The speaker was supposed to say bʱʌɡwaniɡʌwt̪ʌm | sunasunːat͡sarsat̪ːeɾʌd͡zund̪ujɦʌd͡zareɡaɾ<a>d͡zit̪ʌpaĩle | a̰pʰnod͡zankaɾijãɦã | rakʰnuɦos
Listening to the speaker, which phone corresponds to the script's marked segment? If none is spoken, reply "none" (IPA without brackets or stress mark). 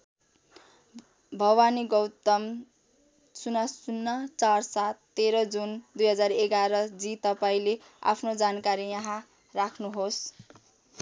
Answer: ʌ